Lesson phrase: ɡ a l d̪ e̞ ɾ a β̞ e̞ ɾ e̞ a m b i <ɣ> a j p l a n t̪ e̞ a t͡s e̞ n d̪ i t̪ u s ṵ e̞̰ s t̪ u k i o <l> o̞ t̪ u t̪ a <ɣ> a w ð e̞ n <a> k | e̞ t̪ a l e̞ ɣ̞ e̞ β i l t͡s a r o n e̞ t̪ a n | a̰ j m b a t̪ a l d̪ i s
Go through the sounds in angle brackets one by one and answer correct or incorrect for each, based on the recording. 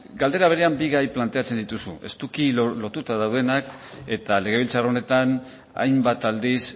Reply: correct, correct, incorrect, correct

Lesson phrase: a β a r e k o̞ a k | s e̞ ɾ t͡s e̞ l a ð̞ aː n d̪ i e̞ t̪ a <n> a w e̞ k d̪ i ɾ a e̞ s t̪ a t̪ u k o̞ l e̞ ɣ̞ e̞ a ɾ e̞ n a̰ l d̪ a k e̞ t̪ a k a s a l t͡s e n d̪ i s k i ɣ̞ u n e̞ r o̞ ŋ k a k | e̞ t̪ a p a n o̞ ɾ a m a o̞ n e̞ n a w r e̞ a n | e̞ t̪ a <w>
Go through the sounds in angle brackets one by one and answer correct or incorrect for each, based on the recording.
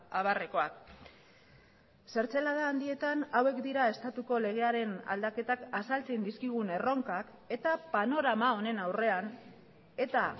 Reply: correct, incorrect

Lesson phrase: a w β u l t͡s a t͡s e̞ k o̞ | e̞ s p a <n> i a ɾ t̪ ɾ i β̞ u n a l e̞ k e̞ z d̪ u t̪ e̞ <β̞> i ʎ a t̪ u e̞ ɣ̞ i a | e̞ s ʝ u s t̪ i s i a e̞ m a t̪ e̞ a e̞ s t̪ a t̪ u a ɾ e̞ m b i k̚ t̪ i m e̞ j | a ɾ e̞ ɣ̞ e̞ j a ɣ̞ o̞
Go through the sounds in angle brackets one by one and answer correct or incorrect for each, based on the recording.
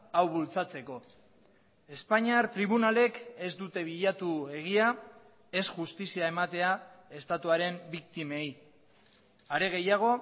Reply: incorrect, correct

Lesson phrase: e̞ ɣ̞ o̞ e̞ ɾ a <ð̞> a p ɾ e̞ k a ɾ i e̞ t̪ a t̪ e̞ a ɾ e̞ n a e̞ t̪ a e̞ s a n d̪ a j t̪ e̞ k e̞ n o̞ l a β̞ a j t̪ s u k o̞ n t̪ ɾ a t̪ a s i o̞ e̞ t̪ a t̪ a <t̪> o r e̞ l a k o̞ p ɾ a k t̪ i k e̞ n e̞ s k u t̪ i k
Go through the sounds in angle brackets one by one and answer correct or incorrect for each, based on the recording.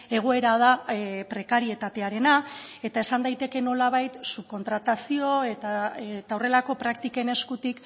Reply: correct, incorrect

